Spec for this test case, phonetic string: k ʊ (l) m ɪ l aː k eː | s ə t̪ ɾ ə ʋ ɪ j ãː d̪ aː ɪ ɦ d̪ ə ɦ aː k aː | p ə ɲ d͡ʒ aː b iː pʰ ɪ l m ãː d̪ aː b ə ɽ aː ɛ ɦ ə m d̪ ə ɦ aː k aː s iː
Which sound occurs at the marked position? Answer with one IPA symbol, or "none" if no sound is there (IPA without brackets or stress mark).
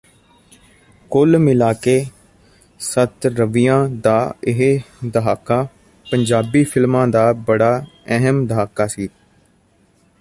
l